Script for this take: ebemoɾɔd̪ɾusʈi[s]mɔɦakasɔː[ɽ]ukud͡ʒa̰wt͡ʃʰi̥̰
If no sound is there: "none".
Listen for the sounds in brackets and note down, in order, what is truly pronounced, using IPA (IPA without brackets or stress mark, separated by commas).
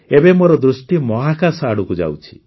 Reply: none, ɽ